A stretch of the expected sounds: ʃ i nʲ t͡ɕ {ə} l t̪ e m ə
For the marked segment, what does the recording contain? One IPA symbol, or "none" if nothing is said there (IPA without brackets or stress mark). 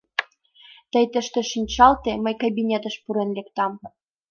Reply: ɑ